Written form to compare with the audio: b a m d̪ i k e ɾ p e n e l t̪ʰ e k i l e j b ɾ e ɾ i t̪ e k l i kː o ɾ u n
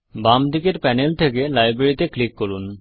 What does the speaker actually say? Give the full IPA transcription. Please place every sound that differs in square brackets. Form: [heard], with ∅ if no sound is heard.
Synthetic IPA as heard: b a m d̪ i k e ɾ p [ɛ] n e l t̪ʰ e k [e] l [a] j b ɾ e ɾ i t̪ e k l i kː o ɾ u n

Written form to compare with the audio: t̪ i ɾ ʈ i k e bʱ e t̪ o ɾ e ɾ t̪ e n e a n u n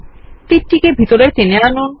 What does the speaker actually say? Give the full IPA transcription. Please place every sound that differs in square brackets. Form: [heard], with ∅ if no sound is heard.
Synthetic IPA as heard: t̪ i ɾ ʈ i k e bʱ [i] t̪ o ɾ e ɾ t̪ e n e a n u n

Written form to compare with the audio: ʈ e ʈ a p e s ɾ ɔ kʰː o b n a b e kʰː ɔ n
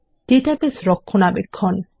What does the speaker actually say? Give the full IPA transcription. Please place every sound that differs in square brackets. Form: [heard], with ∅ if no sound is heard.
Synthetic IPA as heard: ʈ e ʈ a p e s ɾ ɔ kʰː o [∅] n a b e kʰː ɔ n

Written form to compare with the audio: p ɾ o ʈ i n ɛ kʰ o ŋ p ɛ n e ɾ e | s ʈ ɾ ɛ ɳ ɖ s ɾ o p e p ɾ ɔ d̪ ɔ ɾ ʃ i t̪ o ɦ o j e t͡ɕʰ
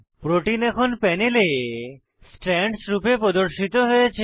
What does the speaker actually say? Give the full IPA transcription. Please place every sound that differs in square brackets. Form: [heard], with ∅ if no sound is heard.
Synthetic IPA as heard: p ɾ o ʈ i n ɛ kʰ o [n] p ɛ n e [l] e | s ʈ ɾ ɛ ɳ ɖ s ɾ [u] p e p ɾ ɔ d̪ [o] ɾ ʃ i t̪ o ɦ o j e t͡ɕʰ

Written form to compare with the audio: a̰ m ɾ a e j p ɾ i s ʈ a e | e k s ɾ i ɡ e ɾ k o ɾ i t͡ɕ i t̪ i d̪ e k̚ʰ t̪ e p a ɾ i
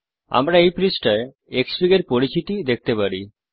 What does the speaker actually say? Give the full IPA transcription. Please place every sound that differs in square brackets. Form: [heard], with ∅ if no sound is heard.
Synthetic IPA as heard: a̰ m ɾ a e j p ɾ i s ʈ a e | e k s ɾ i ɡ e ɾ [p] o ɾ i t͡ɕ i t̪ i d̪ e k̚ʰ t̪ e p a ɾ i

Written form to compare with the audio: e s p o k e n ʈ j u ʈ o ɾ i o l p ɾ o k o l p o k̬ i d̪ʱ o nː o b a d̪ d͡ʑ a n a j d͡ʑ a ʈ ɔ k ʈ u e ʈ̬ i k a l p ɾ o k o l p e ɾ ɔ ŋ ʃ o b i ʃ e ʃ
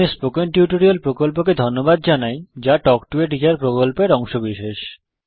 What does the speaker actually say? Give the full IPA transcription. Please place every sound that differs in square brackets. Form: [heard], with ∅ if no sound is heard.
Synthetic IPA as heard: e s p o k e n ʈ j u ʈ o ɾ i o l p ɾ o k o l p o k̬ [e] d̪ʱ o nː o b a d̪ d͡ʑ a n a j d͡ʑ a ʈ ɔ k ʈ u e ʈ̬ i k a [ɾ] p ɾ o k o l p e ɾ ɔ ŋ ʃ o b i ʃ e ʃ

